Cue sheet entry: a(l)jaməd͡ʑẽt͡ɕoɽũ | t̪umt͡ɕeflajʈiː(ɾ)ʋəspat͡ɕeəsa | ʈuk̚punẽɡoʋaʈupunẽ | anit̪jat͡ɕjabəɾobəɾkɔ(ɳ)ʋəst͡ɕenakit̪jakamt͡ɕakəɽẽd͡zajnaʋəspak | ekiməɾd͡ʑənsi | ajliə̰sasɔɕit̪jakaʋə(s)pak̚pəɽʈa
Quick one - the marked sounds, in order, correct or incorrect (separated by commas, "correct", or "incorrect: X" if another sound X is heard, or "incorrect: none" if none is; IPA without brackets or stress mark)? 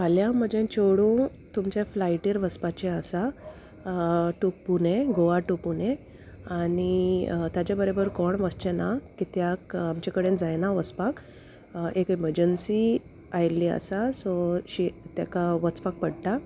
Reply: correct, correct, correct, incorrect: t͡s